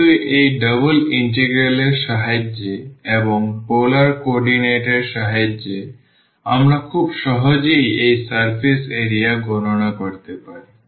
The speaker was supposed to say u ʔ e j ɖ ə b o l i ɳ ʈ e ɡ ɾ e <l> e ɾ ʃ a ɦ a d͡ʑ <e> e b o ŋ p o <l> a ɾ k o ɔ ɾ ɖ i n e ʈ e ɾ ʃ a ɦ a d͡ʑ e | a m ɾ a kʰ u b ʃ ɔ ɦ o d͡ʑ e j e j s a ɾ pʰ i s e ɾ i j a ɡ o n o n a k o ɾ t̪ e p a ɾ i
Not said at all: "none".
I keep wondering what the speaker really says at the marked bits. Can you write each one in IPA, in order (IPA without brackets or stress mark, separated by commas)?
l, e, l